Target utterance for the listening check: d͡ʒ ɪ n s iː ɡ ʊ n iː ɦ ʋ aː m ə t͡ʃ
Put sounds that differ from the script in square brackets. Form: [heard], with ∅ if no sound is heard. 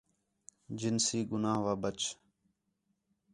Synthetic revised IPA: d͡ʒ ɪ n s iː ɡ ʊ n [aː] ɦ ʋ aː [b] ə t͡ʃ